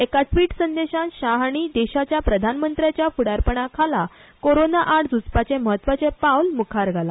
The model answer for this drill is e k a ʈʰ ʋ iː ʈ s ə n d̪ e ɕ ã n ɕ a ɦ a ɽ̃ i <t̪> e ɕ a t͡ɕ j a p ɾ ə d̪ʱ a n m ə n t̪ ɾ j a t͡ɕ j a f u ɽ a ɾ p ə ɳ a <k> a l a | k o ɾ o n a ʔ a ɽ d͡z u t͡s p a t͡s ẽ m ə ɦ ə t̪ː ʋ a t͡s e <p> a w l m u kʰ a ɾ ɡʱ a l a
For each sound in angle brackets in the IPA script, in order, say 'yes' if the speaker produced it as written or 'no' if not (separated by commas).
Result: no, no, yes